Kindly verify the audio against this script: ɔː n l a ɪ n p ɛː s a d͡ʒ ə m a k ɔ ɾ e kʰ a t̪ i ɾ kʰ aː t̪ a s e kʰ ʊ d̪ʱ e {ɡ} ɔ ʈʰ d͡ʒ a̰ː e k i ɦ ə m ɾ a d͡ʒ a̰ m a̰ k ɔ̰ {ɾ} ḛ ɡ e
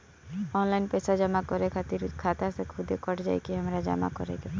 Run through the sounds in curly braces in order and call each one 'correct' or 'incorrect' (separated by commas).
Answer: incorrect, correct